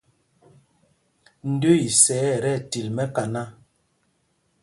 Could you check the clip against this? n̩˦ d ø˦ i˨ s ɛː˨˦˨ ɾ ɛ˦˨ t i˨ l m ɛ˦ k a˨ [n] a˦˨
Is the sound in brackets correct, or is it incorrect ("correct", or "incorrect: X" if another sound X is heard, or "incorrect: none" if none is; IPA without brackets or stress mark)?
correct